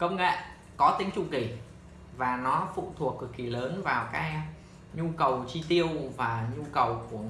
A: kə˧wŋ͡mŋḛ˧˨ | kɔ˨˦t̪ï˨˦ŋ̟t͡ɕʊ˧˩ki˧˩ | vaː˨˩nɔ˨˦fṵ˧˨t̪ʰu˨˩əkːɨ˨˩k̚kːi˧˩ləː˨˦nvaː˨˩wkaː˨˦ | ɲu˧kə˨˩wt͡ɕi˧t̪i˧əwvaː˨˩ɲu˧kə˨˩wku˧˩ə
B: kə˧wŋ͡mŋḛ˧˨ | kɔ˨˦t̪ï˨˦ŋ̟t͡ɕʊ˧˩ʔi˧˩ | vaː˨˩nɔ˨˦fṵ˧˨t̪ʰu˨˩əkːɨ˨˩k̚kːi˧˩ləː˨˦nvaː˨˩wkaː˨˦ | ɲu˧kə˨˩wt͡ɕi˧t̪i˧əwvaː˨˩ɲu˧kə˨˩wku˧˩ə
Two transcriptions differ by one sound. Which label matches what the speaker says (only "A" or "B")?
A